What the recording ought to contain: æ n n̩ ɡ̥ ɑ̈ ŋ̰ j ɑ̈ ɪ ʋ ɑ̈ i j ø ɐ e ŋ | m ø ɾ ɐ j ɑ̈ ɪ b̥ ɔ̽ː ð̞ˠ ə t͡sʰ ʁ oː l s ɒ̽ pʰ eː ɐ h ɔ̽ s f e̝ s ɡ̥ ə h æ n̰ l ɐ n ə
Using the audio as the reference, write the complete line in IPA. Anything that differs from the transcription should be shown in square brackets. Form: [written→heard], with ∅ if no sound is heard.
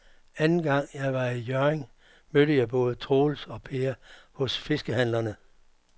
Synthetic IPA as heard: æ n n̩ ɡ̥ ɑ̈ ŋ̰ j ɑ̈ ɪ ʋ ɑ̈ i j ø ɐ e ŋ | m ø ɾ [ɐ→ə] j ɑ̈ ɪ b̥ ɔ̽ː ð̞ˠ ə t͡sʰ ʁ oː l s ɒ̽ pʰ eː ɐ h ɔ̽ s f e̝ s ɡ̥ ə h æ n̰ l ɐ n ə